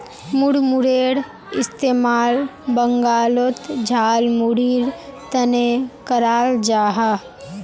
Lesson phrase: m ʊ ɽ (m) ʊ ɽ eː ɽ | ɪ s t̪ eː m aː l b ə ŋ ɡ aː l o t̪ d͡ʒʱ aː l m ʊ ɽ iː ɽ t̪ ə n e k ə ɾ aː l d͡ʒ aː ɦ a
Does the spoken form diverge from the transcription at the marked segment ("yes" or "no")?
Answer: no